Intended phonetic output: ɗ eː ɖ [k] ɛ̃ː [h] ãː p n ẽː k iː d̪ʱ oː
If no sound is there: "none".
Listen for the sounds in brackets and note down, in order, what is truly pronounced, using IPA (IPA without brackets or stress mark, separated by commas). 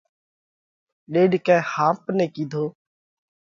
k, h